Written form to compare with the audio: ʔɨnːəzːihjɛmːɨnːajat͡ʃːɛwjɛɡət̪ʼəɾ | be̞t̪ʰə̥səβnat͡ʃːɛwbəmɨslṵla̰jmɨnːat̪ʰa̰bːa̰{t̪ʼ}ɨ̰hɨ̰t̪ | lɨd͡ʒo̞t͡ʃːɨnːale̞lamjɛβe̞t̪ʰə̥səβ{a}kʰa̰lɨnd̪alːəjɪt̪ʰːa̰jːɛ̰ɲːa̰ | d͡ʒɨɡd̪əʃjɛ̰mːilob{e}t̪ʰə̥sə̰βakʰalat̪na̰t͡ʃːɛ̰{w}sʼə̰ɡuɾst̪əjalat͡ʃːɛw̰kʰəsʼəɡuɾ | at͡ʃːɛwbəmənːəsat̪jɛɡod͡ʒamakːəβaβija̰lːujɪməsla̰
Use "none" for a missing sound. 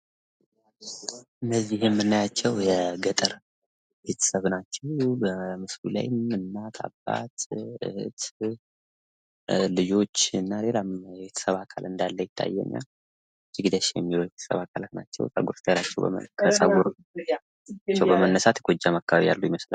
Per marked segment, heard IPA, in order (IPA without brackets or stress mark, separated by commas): t̪, a, e, w